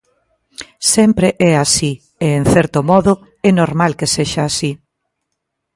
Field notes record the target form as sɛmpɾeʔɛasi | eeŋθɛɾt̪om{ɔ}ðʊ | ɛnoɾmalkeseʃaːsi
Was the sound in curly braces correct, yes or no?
yes